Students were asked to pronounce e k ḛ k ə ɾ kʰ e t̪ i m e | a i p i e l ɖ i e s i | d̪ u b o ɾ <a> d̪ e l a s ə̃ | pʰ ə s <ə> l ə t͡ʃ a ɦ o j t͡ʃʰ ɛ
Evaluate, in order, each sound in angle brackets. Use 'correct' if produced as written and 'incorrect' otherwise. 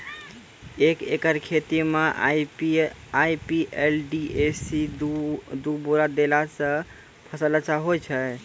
correct, correct

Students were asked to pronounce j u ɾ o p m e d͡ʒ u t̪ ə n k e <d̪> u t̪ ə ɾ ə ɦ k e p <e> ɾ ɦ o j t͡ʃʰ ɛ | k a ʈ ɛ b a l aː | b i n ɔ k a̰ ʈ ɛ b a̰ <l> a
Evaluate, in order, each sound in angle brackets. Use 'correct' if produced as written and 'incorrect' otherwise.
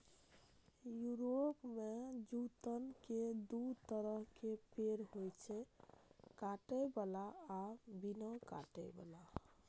correct, correct, correct

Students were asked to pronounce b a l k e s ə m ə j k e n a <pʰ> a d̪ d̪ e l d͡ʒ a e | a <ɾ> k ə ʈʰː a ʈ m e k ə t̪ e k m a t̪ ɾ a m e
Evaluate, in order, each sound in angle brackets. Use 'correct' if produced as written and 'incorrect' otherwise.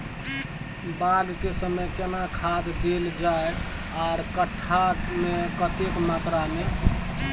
incorrect: kʰ, correct

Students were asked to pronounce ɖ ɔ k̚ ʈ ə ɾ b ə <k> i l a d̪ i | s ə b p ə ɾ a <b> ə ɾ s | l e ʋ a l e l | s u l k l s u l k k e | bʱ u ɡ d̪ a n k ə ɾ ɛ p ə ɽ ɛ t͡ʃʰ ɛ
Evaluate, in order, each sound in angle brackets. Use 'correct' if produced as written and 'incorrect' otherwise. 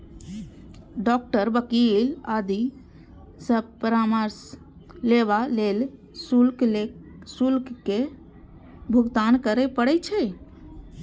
correct, incorrect: m

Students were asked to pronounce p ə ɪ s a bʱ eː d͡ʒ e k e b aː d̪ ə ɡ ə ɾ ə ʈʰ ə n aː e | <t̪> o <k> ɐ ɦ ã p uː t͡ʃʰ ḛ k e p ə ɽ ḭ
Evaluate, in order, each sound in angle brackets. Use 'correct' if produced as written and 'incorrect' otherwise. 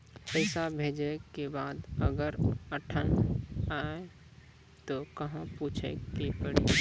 correct, correct

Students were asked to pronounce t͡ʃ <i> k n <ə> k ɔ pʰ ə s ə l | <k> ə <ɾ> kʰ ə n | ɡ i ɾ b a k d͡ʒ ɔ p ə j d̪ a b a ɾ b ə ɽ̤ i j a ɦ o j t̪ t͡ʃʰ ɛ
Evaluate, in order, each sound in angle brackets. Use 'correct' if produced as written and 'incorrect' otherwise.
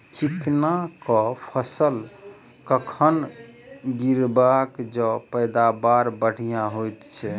correct, incorrect: a, correct, incorrect: none

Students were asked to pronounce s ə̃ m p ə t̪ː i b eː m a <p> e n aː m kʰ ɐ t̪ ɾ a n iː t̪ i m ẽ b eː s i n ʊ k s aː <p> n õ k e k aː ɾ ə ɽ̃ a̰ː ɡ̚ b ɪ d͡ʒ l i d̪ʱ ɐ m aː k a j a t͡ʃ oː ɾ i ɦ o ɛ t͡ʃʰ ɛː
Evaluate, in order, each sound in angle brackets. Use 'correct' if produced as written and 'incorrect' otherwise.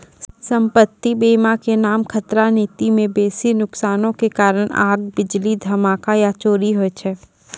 incorrect: k, incorrect: none

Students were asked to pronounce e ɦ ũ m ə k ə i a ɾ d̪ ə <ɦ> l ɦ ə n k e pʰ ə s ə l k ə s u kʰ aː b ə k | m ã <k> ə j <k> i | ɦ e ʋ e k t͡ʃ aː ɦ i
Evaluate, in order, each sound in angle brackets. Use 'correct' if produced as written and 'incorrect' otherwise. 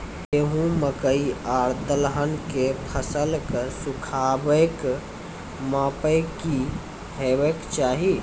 incorrect: none, incorrect: p, correct

